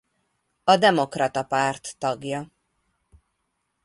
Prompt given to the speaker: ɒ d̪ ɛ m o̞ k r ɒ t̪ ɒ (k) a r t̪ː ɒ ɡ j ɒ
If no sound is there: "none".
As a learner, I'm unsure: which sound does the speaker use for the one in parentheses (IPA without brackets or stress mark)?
p